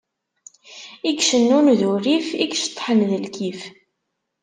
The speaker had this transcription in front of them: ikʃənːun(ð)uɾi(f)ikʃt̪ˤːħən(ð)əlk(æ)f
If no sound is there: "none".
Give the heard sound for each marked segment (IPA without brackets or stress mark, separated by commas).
ð, f, ð, i